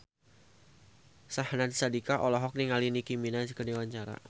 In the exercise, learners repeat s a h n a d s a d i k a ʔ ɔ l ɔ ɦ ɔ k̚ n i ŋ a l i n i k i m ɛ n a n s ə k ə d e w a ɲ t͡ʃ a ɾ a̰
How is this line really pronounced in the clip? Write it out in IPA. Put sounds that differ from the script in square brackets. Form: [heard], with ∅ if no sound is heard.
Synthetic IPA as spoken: s a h n a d s a d i k a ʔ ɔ l ɔ ɦ ɔ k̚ n i ŋ a l i n i k i m [i] n a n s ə k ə d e w a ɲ t͡ʃ a ɾ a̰